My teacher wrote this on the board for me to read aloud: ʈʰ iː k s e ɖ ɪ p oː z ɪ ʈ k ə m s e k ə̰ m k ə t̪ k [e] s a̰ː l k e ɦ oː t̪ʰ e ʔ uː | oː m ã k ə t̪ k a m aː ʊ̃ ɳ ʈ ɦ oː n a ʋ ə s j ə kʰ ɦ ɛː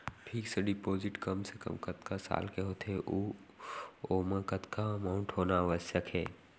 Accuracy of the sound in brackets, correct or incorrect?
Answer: incorrect